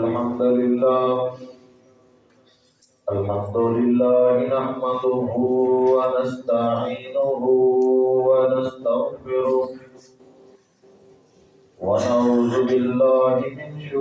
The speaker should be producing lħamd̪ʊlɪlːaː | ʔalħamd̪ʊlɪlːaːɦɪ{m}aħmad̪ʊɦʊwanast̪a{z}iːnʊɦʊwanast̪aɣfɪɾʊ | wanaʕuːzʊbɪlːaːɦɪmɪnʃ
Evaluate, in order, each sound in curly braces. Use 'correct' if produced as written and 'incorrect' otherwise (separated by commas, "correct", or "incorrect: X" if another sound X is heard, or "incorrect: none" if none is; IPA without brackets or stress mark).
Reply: incorrect: n, incorrect: ʕ